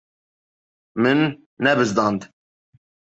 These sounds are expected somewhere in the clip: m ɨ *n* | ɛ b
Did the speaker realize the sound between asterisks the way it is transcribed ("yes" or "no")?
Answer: no